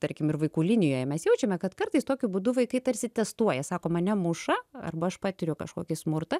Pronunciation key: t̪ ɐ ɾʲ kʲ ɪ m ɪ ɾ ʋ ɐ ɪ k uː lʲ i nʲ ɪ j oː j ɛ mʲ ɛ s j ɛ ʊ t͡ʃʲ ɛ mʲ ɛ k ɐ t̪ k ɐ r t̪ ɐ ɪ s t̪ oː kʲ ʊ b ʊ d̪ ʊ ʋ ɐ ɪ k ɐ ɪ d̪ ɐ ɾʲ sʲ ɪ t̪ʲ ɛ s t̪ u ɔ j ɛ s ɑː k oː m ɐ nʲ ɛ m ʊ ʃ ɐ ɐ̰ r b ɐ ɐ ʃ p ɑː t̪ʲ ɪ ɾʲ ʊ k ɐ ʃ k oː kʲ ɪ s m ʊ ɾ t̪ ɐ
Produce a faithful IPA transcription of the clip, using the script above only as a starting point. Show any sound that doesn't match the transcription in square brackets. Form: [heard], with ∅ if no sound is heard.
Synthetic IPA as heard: t̪ ɐ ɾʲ kʲ ɪ m ɪ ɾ ʋ ɐ ɪ k uː lʲ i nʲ ɪ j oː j ɛ mʲ ɛ s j ɛ ʊ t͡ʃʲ ɛ mʲ ɛ k ɐ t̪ k ɐ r t̪ ɐ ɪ s t̪ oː kʲ ʊ b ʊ d̪ ʊ ʋ ɐ ɪ k ɐ ɪ [t̪] ɐ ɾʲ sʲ ɪ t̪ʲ ɛ s t̪ u ɔ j ɛ s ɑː k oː m ɐ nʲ ɛ m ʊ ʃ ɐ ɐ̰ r b ɐ ɐ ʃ p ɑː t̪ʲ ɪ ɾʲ ʊ k ɐ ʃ k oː kʲ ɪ s m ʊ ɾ t̪ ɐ